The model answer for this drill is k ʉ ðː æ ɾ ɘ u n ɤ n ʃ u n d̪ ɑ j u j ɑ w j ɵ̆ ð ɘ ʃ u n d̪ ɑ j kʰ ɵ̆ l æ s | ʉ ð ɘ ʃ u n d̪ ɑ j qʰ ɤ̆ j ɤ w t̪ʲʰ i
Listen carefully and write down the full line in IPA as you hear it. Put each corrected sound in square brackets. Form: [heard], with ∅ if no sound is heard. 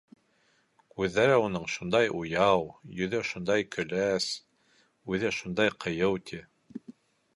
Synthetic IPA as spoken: k ʉ ðː æ ɾ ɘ u n ɤ [ɴ] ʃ u n d̪ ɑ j u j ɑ w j ɵ̆ ð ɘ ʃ u n d̪ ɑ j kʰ ɵ̆ l æ s | ʉ ð ɘ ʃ u n d̪ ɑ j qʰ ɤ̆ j ɤ w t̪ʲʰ i